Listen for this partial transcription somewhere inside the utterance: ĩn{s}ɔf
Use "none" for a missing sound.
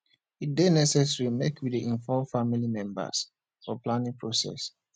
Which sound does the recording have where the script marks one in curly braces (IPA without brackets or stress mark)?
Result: f